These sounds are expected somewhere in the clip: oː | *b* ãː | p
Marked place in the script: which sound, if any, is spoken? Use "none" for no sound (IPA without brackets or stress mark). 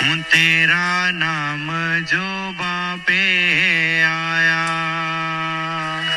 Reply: b